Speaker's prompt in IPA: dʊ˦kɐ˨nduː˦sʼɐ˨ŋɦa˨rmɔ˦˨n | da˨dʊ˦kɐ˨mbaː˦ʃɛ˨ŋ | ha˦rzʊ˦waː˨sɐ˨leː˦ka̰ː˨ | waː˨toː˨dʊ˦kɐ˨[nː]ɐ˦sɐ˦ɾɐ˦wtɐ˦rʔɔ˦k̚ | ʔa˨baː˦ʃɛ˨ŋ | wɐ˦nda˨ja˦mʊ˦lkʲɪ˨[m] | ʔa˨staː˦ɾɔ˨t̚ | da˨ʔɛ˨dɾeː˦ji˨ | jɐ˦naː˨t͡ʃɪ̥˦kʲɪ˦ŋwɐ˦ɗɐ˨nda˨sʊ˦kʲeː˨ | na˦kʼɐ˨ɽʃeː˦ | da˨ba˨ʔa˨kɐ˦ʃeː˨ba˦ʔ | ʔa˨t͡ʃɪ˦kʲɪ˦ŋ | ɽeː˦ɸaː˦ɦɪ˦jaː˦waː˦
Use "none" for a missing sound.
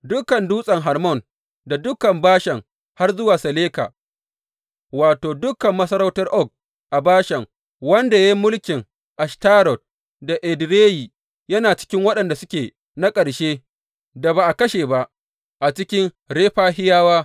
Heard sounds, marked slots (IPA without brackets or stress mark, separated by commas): mː, ŋ